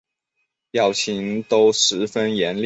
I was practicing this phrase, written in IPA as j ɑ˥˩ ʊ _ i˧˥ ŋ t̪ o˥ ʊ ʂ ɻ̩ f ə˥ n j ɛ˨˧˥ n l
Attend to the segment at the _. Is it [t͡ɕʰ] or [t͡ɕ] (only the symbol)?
t͡ɕʰ